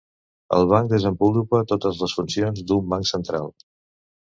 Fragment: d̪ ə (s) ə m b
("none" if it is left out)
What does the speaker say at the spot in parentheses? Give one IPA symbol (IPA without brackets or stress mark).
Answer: z